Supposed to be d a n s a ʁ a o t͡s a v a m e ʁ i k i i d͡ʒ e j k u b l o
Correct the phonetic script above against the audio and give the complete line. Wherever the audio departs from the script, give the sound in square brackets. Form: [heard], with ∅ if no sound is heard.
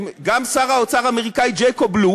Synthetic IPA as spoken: [ɡ] a [m] s a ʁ a o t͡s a [ʁ] a m e ʁ i k [a] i d͡ʒ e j k [o] b l [u]